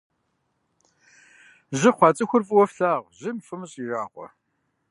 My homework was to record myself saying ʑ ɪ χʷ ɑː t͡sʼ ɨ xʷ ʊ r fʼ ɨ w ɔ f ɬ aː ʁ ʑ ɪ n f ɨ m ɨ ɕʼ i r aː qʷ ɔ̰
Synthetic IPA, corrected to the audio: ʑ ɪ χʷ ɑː t͡sʼ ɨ xʷ ʊ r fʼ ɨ w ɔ f ɬ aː ʁ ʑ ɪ m f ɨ m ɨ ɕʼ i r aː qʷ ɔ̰

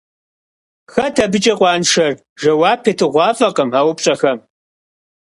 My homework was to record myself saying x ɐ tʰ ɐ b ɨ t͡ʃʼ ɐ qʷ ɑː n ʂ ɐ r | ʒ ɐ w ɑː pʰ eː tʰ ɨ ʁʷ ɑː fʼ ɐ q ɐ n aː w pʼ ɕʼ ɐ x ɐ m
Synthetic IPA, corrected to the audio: x ɐ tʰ ɐ b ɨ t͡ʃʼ ɐ qʷ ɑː n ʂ ɐ r | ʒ ɐ w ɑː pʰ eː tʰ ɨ ʁʷ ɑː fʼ ɐ q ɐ m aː w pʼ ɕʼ ɐ x ɐ m

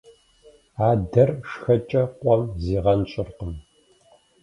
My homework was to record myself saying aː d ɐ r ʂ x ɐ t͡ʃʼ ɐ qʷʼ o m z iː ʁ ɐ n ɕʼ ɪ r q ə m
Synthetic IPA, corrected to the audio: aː d ɐ r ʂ x ɐ t͡ʃʼ ɐ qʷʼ ɔ m z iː ʁ ɐ n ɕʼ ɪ r q ə m

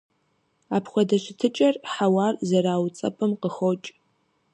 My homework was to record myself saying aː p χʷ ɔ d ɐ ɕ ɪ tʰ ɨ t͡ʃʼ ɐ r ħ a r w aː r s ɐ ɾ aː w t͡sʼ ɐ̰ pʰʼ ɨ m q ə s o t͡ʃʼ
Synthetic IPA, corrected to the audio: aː p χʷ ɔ d ɐ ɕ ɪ tʰ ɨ t͡ʃʼ ɐ r ħ a w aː r z ɐ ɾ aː w t͡sʼ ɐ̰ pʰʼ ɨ m q ə x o t͡ʃʼ

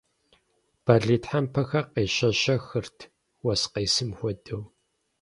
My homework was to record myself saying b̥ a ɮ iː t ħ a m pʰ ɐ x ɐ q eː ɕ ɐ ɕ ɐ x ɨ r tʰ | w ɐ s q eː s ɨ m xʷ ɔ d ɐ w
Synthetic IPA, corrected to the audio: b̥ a ɮ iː t ħ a m pʰ ɐ x ɐ q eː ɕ ɐ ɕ ɐ x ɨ r tʰ | w ɐ s q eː s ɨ m xʷ ɔ d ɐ w

